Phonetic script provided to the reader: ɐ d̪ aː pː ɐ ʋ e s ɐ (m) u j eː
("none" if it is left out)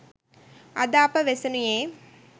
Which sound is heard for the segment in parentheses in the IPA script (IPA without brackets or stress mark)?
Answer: n